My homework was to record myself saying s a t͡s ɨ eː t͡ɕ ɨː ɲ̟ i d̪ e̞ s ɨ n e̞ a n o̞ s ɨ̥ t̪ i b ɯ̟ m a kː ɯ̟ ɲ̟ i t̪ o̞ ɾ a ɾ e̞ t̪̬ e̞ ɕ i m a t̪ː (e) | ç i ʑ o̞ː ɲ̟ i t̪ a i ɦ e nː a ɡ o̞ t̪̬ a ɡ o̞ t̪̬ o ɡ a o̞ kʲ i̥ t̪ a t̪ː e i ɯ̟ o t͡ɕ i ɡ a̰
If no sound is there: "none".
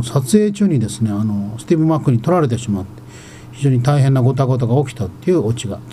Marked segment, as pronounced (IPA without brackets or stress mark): e